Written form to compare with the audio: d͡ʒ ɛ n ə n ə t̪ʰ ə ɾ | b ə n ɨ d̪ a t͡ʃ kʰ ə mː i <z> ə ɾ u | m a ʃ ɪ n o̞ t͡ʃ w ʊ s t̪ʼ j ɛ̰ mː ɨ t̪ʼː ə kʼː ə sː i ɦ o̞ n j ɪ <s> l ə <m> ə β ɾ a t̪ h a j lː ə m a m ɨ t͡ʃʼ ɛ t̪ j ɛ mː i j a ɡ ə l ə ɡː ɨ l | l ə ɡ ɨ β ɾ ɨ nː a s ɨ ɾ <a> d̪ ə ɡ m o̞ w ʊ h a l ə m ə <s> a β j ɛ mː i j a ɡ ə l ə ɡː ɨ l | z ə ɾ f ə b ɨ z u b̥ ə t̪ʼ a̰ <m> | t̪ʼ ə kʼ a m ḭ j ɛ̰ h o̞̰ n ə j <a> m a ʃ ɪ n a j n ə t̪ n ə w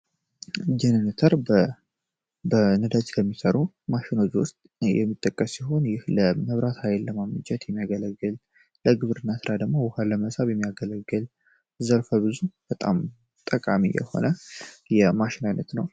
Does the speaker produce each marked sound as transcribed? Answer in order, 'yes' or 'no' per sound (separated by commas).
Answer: no, no, yes, yes, yes, yes, no